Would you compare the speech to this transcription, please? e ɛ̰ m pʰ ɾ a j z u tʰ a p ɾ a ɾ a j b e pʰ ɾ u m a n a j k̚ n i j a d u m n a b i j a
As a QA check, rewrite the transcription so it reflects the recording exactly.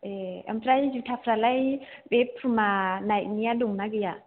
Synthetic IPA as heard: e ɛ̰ m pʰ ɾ a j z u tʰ a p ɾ a l a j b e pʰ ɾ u m a n a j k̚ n i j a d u ŋ n a ɡ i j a